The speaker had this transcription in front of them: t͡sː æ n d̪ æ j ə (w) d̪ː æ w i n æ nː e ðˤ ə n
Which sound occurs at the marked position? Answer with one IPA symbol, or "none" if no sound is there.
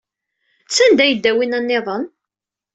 none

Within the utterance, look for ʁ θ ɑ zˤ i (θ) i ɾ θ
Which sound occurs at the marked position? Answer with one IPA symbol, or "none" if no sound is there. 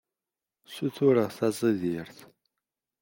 ð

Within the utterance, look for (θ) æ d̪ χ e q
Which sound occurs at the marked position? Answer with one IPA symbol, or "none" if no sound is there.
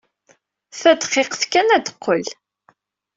θ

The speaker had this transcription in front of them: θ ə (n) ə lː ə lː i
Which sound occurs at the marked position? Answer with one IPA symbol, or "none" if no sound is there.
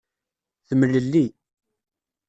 m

